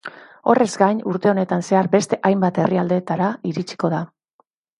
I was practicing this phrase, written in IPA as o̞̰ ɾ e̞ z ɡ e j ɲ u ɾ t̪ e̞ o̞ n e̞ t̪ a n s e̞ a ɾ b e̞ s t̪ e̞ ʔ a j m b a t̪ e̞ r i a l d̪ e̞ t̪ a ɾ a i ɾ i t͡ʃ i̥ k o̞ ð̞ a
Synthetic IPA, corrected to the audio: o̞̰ r e̞ z ɡ a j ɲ u ɾ t̪ e̞ o̞ n e̞ t̪ a n s e̞ a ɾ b e̞ s t̪ e̞ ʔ a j m b a t̪ e̞ r i a l d̪ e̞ t̪ a ɾ a i ɾ i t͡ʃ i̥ k o̞ ð̞ a